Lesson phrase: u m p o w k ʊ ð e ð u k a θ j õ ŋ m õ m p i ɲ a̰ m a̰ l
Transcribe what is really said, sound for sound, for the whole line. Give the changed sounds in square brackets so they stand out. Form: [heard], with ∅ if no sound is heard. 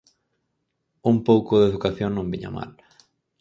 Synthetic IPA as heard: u m p o w k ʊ ð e ð u k a θ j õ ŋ [n] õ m [b] i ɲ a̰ m a̰ l